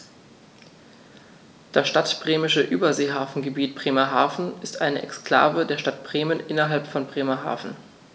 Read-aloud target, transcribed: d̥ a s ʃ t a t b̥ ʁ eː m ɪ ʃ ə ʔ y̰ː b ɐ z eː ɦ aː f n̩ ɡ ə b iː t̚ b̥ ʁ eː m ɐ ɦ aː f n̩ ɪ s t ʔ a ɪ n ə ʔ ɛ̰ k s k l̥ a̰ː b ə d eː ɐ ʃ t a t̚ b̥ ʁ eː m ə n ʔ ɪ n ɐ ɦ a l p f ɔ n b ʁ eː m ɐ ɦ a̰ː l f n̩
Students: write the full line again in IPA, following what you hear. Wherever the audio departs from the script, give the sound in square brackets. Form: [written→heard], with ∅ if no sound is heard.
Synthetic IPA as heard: d̥ a s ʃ t a t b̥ ʁ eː m ɪ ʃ ə ʔ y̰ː b ɐ z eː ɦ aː f n̩ ɡ ə b iː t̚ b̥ ʁ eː m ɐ ɦ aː f n̩ ɪ s t ʔ a ɪ n ə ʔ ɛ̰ k s k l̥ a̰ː [b→v] ə d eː ɐ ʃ t a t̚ b̥ ʁ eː m ə n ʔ ɪ n ɐ ɦ a l p f ɔ n b ʁ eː m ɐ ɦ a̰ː [l→∅] f n̩